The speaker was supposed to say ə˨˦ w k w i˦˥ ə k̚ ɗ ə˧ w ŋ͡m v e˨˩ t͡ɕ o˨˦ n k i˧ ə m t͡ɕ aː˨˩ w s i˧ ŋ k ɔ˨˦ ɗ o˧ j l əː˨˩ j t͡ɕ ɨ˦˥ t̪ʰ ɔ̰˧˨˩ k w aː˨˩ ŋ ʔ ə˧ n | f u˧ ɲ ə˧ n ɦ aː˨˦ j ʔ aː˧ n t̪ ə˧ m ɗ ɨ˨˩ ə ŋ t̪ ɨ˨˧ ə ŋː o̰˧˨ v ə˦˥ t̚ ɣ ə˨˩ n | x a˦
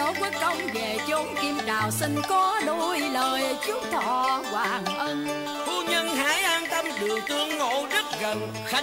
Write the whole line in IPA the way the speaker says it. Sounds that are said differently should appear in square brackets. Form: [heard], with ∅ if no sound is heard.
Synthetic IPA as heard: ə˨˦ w k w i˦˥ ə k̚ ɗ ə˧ w ŋ͡m v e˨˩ t͡ɕ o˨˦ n k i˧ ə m t͡ɕ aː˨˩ w s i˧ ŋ k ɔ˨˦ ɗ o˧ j l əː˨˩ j t͡ɕ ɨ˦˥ t̪ʰ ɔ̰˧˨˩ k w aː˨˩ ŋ ʔ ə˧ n | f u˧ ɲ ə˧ n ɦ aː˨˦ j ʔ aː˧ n t̪ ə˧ m ɗ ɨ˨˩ ə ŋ t̪ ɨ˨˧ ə ŋː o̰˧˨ [z] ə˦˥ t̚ ɣ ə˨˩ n | x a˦